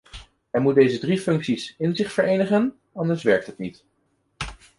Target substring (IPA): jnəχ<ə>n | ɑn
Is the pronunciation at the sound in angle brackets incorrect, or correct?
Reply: correct